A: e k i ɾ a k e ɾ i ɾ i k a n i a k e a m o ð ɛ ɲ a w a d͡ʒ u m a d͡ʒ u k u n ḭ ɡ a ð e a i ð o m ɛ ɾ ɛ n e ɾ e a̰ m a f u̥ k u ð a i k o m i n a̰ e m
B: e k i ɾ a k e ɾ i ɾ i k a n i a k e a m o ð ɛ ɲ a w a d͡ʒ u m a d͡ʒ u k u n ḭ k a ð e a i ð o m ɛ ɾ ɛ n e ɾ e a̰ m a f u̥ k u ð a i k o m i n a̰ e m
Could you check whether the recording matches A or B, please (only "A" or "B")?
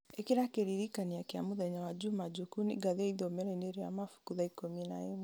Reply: A